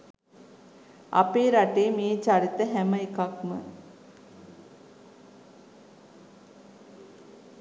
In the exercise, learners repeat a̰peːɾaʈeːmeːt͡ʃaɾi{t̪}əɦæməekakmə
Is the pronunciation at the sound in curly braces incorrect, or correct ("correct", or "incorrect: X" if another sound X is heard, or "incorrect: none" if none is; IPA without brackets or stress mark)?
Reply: correct